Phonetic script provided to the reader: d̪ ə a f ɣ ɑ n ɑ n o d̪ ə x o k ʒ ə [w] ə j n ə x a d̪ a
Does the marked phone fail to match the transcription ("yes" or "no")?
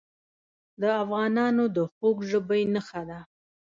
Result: yes